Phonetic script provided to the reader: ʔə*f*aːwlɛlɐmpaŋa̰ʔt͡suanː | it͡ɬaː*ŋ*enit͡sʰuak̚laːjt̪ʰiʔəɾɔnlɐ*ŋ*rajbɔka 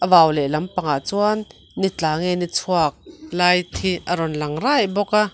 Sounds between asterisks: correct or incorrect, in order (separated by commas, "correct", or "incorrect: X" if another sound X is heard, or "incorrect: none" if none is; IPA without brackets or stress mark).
incorrect: v, correct, correct